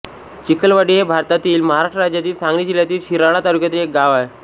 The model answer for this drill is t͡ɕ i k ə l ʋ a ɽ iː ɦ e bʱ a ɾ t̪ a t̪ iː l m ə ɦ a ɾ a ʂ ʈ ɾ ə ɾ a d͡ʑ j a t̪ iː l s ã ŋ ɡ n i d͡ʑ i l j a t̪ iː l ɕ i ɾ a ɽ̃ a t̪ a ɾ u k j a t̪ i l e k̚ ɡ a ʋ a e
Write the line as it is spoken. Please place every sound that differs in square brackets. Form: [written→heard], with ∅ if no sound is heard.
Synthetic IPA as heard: t͡ɕ i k ə l ʋ a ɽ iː ɦ e bʱ a ɾ t̪ a t̪ iː l m ə ɦ a ɾ a ʂ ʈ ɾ ə ɾ a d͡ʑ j a t̪ iː l s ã ŋ ɡ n i d͡ʑ i l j a t̪ iː l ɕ i ɾ a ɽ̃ a t̪ a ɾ u k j a t̪ i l e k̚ ɡ a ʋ a e